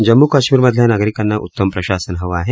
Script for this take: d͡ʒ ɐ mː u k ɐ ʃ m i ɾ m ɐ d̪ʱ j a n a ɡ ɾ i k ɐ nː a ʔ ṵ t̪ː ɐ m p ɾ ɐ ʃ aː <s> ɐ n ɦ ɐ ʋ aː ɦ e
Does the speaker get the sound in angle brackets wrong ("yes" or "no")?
no